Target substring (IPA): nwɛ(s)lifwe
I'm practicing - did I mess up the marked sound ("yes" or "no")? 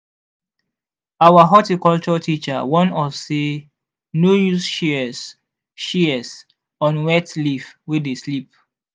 yes